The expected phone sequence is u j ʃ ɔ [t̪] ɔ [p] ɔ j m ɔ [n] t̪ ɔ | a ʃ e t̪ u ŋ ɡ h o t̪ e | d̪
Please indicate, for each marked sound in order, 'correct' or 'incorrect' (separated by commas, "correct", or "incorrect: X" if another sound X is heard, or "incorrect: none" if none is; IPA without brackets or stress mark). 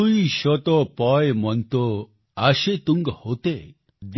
correct, correct, correct